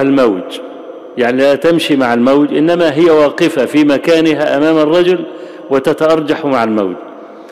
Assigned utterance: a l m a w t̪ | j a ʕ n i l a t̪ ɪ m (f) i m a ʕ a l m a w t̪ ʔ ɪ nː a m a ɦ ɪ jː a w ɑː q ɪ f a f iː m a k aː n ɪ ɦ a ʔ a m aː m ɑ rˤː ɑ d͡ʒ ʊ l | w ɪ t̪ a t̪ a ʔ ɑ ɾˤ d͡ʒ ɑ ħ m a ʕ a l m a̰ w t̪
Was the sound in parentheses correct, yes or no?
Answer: no